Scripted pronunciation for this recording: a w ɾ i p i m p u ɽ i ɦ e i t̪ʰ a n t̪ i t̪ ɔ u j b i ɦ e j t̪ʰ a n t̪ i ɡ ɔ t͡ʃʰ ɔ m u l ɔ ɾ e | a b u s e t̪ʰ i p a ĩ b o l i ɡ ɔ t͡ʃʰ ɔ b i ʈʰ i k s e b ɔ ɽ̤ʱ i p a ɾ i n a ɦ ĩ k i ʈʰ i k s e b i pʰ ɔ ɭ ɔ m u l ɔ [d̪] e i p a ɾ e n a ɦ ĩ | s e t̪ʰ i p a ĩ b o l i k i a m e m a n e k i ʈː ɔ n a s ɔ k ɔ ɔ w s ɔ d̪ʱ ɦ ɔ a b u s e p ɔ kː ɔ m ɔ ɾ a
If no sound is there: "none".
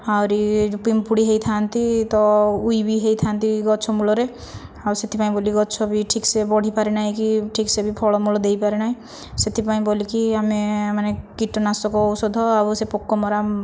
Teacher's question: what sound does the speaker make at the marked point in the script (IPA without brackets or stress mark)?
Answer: d̪